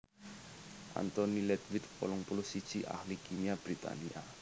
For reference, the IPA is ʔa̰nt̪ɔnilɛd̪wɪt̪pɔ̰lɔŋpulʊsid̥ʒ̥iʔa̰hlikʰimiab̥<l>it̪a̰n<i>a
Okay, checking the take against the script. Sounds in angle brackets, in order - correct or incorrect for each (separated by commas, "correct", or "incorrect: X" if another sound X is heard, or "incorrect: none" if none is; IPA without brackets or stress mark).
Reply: incorrect: ɾ, correct